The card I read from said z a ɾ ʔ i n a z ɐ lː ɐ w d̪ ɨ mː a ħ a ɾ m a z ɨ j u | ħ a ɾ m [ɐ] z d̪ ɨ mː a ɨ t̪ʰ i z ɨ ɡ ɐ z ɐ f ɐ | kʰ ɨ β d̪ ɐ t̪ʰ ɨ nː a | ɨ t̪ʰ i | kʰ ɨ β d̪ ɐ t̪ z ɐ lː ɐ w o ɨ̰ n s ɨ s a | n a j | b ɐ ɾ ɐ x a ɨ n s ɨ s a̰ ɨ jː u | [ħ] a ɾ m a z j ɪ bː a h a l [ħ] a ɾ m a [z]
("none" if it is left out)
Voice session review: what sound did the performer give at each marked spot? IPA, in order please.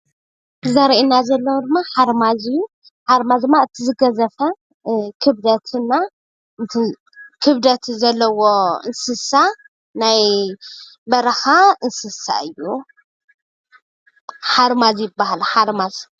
a, ħ, ħ, z

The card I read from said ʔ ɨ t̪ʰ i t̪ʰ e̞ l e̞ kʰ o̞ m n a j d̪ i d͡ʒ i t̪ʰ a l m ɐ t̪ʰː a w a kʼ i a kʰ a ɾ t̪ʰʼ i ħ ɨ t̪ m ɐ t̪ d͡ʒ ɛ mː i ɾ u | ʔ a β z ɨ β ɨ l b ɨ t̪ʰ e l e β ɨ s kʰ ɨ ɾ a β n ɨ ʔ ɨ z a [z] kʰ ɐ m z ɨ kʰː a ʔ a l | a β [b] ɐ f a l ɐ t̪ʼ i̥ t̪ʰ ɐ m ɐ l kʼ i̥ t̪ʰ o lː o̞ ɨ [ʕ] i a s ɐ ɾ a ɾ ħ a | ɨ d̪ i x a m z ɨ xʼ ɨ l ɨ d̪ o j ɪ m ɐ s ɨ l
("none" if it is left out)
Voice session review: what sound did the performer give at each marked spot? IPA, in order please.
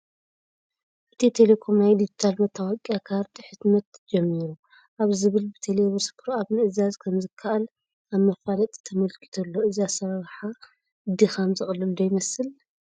z, m, z

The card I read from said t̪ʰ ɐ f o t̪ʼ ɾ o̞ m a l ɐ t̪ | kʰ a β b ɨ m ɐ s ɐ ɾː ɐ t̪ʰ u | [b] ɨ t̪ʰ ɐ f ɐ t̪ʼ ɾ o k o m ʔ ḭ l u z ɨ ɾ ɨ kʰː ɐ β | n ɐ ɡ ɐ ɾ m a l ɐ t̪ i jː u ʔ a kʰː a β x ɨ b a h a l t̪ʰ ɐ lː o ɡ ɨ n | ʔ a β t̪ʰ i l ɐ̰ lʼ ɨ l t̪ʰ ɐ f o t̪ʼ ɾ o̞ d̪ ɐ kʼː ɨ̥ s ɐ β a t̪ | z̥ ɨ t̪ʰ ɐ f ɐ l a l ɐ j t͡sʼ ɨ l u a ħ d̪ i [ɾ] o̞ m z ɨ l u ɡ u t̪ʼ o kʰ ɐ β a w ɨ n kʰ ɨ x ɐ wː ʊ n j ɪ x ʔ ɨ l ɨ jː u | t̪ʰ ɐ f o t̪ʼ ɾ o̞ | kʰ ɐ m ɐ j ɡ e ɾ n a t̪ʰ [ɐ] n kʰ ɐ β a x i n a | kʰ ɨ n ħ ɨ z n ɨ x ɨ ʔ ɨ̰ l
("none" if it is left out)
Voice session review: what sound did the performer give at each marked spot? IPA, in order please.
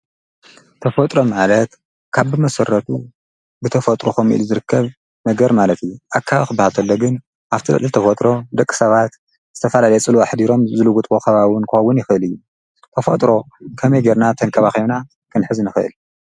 b, ɾ, ɐ

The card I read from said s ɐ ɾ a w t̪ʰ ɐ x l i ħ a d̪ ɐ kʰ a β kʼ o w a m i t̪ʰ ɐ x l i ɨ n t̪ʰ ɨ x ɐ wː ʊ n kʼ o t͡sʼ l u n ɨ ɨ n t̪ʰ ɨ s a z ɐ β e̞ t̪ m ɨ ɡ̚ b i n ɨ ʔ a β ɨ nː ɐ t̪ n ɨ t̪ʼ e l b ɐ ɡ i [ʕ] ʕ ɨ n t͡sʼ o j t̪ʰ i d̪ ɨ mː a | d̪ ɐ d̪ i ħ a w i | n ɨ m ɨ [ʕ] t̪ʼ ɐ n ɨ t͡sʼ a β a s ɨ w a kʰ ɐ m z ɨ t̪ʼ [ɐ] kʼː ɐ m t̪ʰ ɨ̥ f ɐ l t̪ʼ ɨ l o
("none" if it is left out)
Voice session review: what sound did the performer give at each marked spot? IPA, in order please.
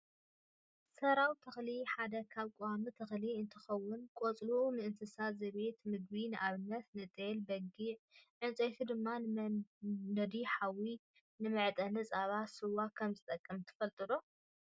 ʕ, ʕ, ɐ

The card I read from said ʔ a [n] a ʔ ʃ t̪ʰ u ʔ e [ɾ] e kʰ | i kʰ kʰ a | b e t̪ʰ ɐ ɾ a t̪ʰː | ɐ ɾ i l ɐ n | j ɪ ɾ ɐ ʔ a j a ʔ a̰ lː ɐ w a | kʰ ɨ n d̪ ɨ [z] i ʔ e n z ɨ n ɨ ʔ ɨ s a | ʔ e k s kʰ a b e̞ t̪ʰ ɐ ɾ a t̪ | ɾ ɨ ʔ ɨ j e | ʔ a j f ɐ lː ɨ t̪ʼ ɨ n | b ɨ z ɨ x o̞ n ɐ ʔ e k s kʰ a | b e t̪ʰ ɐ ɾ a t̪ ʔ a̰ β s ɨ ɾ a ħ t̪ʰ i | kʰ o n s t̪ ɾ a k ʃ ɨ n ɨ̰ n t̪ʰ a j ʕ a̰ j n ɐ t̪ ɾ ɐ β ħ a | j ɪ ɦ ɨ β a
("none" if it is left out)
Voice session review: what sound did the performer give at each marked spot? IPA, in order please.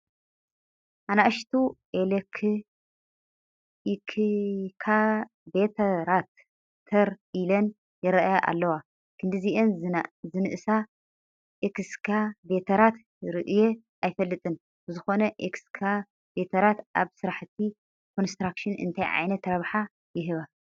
n, l, z

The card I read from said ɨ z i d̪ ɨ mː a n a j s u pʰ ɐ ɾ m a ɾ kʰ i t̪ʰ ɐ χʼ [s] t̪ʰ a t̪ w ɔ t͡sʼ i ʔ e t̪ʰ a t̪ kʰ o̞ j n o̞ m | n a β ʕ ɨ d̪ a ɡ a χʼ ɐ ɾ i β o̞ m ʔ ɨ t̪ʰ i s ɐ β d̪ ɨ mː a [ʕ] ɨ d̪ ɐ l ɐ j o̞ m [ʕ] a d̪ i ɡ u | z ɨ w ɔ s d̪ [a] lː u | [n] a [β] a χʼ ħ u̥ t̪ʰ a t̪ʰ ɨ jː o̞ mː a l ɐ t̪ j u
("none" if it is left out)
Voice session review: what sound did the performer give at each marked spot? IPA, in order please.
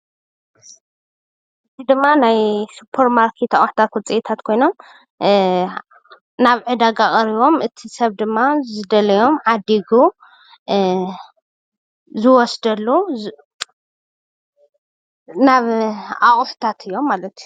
ħ, z, ʕ, ɐ, n, β

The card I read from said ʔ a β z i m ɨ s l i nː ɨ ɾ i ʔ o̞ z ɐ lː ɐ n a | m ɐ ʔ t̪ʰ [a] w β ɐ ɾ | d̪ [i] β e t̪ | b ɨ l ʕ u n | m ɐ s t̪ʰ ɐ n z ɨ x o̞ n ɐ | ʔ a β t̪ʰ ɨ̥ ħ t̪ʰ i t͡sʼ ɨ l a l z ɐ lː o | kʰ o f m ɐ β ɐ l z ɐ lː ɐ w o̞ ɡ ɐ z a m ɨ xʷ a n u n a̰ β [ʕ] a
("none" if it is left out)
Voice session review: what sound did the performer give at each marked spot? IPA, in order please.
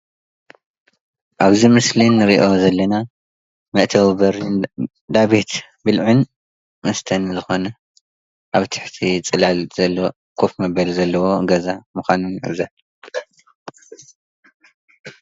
ɐ, a, z

